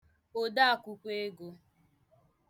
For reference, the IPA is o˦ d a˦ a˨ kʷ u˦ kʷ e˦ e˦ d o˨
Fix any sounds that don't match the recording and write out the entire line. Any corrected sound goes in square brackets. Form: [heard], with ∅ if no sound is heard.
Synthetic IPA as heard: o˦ d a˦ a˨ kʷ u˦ kʷ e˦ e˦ [ɡ] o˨